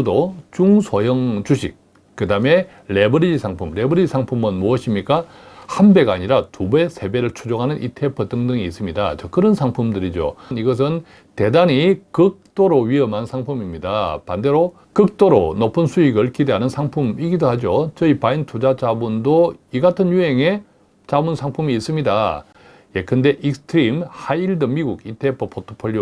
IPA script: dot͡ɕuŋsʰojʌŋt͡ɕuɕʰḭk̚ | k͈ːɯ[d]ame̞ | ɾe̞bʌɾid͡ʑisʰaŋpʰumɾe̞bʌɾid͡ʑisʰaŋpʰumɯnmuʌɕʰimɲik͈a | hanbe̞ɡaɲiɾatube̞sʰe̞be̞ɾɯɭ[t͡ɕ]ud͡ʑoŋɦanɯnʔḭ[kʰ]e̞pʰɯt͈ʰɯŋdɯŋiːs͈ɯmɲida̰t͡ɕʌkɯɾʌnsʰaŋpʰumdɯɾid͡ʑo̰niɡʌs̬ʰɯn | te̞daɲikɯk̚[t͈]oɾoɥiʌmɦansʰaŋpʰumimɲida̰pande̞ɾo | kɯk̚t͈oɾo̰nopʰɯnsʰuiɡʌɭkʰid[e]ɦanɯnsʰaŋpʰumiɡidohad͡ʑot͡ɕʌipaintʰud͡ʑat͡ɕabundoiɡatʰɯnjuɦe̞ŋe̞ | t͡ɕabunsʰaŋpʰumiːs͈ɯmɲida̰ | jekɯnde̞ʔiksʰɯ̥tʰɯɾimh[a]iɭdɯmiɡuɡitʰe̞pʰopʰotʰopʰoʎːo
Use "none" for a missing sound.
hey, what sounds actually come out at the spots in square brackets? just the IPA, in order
d, t͡ɕʰ, tʰ, t͈, e, a

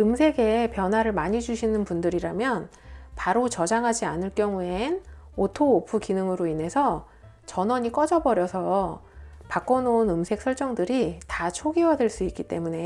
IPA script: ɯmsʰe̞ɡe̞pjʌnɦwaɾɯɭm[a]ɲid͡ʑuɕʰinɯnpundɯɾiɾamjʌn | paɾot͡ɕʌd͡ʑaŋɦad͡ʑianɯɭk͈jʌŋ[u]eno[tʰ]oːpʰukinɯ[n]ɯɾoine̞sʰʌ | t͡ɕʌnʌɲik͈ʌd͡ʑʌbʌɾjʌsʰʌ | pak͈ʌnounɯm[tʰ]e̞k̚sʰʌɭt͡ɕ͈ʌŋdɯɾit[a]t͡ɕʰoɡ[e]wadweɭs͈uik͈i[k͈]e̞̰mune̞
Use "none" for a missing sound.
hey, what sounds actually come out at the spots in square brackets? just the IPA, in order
a, u, tʰ, ŋ, sʰ, a, i, t͈

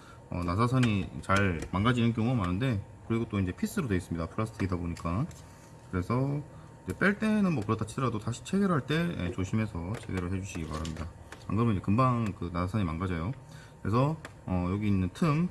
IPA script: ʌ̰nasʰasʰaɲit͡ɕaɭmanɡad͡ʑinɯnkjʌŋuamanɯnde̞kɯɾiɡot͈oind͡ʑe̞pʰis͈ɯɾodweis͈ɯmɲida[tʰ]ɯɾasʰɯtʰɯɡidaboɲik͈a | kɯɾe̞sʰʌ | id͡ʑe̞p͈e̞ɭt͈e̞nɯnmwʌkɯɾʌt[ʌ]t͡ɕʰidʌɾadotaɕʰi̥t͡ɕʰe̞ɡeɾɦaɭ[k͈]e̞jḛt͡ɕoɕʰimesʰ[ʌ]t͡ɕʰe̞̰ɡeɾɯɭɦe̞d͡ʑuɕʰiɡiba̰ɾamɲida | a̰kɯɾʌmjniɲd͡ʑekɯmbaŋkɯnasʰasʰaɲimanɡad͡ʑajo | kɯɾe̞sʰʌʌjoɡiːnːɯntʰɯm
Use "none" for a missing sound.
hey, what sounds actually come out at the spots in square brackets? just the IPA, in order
pʰ, a, t͈, ʌ

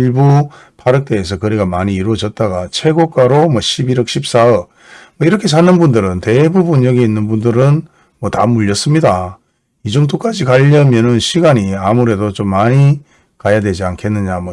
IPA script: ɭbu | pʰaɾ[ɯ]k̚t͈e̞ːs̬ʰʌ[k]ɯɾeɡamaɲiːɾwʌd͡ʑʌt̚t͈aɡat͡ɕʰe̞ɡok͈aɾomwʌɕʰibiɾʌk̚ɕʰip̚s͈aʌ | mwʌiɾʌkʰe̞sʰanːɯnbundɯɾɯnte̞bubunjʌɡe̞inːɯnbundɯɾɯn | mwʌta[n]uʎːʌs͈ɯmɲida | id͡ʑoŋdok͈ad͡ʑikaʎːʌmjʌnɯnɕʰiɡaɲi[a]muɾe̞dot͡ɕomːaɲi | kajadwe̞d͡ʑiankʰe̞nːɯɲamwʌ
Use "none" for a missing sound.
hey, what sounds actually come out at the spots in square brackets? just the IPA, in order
ɯ, k, m, a

